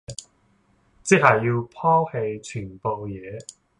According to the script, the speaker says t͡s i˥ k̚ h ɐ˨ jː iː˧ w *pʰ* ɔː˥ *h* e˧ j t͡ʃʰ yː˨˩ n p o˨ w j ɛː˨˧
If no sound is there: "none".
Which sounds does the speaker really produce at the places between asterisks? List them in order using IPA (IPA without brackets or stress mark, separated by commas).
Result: pʰ, h